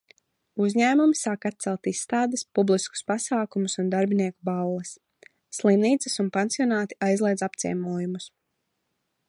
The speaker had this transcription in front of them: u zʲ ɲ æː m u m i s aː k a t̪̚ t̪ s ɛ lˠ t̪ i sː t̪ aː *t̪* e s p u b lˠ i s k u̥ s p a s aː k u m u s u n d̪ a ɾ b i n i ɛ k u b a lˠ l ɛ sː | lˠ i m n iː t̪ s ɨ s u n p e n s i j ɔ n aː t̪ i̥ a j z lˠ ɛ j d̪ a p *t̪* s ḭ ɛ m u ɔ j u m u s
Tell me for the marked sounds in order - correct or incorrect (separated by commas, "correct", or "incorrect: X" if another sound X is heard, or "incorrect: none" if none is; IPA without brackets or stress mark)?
incorrect: d̪, correct